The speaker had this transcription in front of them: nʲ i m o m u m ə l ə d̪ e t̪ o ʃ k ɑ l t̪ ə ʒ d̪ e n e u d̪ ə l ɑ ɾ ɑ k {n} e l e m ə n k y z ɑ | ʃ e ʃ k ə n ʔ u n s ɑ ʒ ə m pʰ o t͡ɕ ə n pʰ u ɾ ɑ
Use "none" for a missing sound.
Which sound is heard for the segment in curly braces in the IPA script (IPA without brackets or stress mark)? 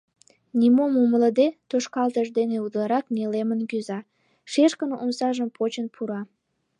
n